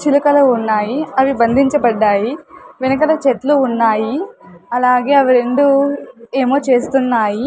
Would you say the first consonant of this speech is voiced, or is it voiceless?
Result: voiceless